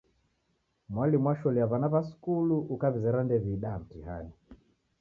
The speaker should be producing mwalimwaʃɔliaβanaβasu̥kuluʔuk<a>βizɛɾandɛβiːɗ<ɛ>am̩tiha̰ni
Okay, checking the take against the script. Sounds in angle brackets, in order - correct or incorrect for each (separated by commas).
correct, incorrect